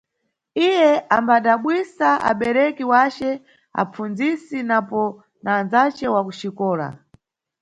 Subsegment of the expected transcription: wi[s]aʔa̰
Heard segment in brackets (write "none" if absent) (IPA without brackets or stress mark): s